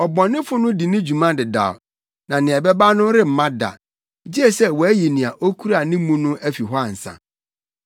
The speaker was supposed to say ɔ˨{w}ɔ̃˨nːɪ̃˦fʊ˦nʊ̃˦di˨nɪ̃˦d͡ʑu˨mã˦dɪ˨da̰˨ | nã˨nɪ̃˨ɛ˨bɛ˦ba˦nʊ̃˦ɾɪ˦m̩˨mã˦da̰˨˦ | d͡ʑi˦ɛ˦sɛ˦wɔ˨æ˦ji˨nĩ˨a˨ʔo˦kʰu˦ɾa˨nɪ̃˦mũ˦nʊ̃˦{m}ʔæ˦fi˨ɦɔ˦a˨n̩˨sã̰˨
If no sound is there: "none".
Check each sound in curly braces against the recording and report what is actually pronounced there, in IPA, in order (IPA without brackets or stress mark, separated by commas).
b, none